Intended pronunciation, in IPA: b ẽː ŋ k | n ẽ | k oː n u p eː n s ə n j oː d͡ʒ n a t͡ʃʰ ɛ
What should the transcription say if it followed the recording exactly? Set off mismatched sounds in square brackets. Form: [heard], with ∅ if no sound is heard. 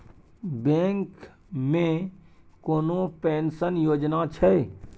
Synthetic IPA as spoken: b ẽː ŋ k | [m] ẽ | k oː n [o] p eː n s ə n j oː d͡ʒ n a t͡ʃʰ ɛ